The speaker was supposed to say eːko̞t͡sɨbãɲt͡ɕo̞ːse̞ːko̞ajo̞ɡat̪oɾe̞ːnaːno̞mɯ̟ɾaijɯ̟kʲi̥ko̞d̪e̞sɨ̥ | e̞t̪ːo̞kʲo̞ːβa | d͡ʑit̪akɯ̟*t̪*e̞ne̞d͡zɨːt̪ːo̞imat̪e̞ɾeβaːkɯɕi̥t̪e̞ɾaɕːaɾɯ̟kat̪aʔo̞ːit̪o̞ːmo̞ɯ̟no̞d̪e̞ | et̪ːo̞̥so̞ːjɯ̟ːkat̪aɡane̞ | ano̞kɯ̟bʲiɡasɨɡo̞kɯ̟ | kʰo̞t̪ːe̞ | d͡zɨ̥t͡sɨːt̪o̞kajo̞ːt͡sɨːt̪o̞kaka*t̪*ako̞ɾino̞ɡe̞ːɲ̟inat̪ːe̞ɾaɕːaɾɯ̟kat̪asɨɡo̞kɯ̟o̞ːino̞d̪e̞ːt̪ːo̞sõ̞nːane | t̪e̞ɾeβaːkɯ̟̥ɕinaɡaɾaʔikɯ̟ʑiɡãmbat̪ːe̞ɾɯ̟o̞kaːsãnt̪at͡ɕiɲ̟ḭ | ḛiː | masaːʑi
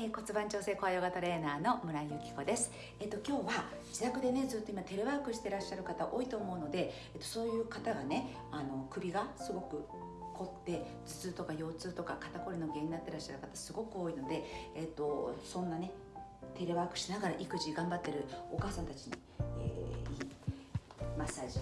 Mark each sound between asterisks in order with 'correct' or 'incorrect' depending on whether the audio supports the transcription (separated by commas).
incorrect, correct